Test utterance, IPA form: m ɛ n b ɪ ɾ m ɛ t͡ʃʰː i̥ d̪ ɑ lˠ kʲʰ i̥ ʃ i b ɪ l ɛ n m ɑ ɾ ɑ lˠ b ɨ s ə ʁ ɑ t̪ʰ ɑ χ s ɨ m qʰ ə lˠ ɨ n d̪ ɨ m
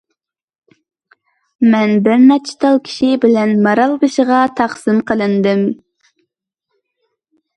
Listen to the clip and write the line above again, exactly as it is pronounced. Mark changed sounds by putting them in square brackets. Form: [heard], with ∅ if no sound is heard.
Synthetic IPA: m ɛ n b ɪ ɾ m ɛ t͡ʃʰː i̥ [t̪] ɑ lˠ kʲʰ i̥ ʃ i b ɪ l ɛ n m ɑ ɾ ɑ lˠ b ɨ [ʃ] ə ʁ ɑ t̪ʰ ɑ χ s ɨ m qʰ ə lˠ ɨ n d̪ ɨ m